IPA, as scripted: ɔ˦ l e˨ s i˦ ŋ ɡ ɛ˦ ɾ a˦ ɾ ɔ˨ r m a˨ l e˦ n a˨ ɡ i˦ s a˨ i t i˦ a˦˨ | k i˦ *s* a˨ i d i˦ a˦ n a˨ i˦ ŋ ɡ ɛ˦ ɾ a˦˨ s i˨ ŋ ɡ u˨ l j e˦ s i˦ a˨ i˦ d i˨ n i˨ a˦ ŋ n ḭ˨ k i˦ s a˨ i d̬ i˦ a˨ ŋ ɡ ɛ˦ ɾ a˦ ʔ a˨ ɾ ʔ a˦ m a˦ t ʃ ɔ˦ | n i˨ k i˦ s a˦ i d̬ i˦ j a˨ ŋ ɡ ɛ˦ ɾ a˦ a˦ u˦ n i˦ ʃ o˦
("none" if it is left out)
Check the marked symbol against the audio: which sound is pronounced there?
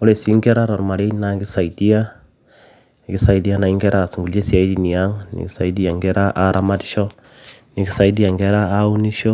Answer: s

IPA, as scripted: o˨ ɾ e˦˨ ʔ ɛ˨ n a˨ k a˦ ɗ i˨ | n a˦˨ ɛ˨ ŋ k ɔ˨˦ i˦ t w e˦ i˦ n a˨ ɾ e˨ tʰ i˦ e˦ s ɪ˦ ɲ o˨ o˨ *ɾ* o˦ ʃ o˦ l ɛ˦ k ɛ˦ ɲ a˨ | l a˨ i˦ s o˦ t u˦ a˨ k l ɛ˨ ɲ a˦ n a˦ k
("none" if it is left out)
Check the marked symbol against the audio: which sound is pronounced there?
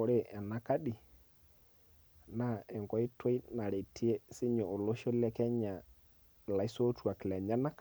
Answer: l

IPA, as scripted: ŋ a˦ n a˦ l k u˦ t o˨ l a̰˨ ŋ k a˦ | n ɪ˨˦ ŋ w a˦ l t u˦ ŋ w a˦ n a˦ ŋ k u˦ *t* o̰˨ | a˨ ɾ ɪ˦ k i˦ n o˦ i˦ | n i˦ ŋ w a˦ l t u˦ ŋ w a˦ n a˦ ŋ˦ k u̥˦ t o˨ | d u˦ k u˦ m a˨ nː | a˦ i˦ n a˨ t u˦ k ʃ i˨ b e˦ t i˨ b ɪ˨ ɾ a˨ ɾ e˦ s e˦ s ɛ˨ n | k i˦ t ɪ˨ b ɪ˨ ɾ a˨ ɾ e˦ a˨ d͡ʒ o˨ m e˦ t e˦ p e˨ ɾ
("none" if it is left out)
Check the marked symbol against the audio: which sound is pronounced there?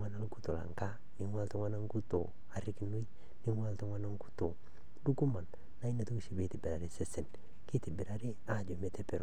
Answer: t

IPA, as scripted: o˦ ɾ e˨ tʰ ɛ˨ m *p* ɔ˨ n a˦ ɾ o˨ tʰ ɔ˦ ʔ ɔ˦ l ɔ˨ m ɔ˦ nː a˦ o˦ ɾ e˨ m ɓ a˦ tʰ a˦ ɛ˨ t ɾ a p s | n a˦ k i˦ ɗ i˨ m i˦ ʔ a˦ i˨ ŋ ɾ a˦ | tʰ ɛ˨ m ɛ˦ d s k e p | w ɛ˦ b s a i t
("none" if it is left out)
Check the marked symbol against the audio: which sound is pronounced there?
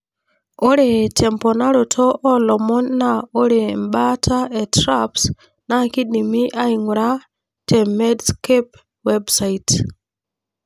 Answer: p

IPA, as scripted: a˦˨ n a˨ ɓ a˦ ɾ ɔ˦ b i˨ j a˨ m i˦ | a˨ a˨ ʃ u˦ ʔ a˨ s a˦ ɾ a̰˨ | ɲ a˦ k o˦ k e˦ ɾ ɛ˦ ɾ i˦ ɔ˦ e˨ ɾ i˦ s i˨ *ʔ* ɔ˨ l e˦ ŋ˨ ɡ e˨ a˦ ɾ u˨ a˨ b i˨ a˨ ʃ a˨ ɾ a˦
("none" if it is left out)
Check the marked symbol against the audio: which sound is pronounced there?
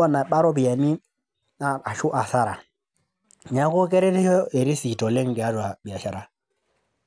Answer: t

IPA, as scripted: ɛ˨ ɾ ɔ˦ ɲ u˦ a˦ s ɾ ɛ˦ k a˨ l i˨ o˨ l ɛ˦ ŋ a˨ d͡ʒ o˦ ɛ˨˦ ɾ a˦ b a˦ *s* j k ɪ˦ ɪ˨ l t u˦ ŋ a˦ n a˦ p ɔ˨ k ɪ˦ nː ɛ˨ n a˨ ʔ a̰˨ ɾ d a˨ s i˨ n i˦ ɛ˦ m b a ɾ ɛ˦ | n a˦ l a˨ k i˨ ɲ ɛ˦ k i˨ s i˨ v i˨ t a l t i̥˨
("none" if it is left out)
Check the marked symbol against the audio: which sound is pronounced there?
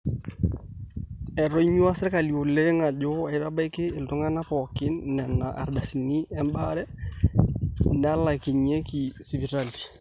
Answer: none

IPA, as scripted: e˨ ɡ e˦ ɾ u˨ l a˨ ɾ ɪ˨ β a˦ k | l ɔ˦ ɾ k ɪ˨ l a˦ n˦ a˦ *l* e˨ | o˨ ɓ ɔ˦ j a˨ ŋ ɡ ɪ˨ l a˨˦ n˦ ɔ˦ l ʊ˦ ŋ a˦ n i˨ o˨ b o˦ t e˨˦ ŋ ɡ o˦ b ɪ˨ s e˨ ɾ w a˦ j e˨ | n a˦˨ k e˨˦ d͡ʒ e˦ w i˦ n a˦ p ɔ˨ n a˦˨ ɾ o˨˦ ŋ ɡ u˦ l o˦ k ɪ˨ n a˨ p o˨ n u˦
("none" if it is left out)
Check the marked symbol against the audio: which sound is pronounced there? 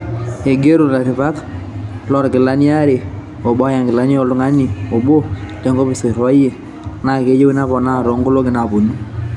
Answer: ɾ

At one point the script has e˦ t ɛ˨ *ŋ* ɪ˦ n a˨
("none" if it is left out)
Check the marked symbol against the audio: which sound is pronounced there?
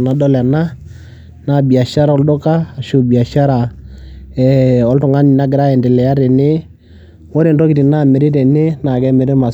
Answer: n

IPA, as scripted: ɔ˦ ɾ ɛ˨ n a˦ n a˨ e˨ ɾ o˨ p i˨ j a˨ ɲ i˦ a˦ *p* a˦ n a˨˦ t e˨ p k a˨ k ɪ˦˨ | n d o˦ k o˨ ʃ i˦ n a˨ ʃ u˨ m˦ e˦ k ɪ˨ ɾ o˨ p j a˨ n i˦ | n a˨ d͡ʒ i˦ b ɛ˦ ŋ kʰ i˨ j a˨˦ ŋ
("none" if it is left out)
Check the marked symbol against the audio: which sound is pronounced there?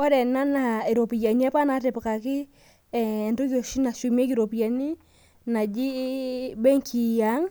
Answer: p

